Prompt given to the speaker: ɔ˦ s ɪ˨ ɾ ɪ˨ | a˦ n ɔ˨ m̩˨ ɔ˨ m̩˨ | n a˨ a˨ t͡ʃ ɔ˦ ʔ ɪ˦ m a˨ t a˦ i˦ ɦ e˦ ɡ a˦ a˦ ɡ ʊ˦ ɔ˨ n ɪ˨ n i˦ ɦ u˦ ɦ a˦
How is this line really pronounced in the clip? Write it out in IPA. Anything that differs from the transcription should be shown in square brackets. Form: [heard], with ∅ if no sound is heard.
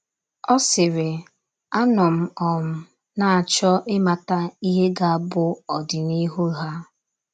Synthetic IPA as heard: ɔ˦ s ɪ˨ ɾ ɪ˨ | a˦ n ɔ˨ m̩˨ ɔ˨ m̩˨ | n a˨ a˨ t͡ʃ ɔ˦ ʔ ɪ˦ m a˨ t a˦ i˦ ɦ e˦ ɡ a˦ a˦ [b] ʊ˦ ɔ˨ [d] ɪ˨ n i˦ ɦ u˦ ɦ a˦